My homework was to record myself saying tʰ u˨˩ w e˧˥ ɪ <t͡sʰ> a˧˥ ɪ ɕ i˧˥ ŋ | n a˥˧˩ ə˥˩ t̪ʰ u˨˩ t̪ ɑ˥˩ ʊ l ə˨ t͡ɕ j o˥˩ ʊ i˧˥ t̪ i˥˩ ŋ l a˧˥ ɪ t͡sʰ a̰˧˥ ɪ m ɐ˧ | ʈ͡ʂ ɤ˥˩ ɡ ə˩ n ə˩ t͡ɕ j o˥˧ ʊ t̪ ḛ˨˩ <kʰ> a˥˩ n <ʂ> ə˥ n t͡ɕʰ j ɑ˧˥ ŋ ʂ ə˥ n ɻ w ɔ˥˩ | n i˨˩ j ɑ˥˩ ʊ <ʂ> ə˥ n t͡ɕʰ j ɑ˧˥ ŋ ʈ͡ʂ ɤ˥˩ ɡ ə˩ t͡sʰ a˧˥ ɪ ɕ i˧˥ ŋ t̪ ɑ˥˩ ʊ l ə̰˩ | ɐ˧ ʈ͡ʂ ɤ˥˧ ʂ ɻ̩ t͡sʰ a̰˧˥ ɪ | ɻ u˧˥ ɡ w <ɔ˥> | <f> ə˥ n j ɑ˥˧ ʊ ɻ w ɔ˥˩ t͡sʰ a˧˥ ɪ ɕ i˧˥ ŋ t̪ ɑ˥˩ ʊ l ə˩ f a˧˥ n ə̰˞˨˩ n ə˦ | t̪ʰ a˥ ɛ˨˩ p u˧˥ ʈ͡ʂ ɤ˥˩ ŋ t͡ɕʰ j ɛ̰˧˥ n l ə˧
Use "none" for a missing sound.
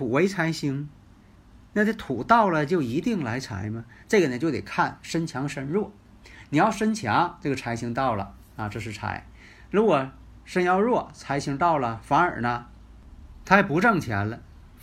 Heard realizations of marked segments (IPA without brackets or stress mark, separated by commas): t͡sʰ, kʰ, ʂ, ʂ, ɔ˨˩, ʂ